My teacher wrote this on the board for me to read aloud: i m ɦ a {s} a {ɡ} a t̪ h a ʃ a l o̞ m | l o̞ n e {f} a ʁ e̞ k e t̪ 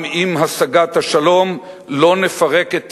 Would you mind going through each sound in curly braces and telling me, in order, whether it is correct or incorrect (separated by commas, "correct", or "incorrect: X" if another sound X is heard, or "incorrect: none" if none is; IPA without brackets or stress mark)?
correct, correct, correct